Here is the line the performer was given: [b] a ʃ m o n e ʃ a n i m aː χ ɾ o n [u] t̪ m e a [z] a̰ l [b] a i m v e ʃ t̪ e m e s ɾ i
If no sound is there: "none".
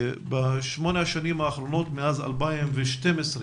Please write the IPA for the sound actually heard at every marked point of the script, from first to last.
b, o, z, b

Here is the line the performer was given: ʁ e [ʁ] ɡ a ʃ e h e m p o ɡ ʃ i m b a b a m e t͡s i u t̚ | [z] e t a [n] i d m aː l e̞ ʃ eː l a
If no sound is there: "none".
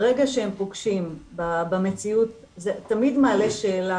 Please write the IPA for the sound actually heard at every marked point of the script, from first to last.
none, z, m

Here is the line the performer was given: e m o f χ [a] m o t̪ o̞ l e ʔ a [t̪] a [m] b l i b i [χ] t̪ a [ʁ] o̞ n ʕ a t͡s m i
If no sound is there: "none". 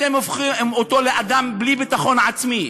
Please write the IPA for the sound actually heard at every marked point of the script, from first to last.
i, d̪, m, none, χ

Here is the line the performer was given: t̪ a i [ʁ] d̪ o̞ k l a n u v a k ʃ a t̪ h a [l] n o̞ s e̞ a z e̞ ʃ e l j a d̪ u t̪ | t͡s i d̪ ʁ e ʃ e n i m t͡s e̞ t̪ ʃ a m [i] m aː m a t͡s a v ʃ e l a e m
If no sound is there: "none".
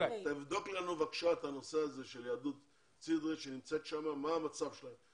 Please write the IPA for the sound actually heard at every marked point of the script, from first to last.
v, none, a

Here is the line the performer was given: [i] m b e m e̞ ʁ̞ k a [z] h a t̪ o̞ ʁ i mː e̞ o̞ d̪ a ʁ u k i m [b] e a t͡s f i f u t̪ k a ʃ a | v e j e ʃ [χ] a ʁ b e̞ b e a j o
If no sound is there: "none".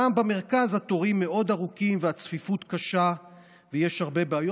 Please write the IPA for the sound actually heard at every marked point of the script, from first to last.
a, z, v, h

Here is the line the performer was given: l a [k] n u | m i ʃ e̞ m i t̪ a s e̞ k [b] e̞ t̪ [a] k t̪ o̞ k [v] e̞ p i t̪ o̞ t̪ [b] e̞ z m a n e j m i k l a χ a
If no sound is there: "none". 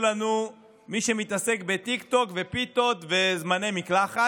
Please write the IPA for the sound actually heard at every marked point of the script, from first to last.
none, b, i, v, v

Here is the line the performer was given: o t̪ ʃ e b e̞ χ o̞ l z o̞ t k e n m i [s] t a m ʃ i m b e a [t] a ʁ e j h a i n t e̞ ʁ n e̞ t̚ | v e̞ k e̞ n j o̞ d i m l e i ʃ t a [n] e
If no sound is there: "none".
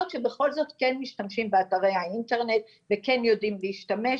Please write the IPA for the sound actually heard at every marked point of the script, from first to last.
ʃ, t, m

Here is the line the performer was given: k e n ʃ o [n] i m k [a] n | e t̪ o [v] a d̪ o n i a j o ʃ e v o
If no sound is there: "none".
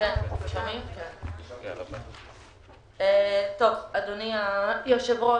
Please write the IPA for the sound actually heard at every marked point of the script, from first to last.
m, e, v

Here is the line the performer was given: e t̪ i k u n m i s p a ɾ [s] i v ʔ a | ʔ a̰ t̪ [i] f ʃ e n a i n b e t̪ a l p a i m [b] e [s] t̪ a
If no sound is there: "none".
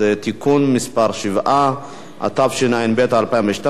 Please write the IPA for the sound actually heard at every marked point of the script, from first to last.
ʃ, a, v, ʃ

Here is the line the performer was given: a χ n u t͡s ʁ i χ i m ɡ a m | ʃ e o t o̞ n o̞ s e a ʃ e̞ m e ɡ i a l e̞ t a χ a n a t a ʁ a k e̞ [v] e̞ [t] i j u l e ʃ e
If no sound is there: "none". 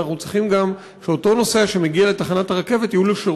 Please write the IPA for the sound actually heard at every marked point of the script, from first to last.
v, t

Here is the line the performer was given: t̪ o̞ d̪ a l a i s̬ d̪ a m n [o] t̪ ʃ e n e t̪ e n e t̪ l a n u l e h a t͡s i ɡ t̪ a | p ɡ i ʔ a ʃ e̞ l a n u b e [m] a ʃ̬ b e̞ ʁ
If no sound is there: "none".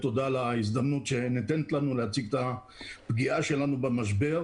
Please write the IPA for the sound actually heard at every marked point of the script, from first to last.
u, m

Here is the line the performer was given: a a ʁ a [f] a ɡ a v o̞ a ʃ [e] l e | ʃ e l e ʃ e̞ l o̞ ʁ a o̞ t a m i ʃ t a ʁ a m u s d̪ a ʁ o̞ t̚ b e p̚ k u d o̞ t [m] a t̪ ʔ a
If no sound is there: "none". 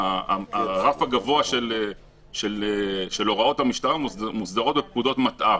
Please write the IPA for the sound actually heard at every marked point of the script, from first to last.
f, e, m

